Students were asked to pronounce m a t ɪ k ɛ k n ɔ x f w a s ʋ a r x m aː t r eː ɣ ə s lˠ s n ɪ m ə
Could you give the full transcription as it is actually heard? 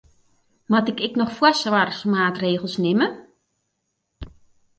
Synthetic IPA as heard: m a t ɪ k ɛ k n ɔ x f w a s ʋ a r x m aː t r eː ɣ ə lˠ s n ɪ m ə